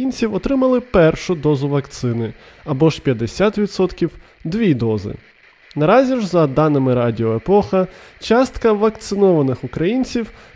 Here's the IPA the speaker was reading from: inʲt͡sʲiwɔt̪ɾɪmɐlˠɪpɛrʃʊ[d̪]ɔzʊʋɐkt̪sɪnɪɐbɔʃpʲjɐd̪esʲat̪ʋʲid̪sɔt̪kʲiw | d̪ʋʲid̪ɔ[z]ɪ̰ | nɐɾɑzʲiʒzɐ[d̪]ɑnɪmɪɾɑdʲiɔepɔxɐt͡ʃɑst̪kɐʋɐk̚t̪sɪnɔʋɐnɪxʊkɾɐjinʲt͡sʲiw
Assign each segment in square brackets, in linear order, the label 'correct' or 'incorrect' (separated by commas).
correct, correct, correct